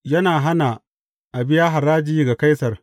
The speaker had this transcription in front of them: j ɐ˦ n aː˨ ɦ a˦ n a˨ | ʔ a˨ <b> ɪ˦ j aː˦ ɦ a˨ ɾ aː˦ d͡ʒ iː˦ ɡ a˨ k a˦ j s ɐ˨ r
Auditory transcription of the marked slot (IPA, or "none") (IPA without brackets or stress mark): b